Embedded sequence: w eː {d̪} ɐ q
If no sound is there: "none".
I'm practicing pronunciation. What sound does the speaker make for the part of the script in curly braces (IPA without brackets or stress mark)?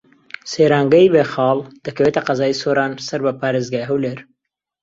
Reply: t̪